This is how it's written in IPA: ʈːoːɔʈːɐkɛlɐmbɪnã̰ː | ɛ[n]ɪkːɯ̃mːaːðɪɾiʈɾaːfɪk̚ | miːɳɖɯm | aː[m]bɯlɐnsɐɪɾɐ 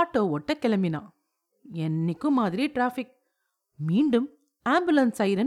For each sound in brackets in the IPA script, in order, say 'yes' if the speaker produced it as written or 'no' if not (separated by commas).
no, yes